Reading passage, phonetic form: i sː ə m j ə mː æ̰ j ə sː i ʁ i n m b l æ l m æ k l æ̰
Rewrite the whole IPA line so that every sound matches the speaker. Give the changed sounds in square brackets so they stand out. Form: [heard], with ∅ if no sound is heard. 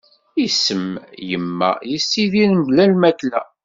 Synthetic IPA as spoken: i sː ə m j ə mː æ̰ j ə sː i [ð] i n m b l æ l m æ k l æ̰